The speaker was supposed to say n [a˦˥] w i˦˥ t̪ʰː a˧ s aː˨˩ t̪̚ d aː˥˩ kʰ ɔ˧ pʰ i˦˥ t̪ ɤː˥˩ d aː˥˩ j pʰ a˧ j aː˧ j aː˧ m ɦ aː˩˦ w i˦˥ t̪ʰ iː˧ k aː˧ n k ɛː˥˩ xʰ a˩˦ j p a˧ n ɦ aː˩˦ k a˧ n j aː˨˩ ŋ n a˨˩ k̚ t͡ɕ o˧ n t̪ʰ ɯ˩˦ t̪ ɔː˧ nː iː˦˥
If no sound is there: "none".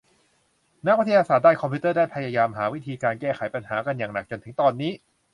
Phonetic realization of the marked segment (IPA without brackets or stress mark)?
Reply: a˦˥